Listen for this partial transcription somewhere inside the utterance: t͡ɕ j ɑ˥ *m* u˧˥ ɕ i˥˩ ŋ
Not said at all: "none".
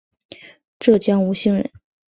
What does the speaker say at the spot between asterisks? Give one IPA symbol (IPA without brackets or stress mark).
ŋ